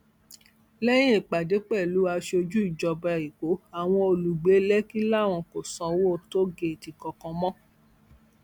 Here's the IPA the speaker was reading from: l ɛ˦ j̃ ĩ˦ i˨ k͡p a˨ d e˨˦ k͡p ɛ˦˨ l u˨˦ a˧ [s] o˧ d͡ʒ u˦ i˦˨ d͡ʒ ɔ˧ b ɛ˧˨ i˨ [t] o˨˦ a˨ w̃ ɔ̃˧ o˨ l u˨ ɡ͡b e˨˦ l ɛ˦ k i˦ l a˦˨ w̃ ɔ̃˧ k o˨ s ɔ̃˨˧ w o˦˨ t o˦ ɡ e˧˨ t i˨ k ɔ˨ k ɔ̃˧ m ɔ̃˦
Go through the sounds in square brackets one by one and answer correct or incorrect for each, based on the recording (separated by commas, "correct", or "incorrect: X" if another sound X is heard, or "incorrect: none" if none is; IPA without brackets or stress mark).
incorrect: ʃ, incorrect: k